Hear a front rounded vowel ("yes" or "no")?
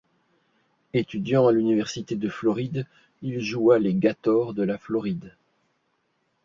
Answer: yes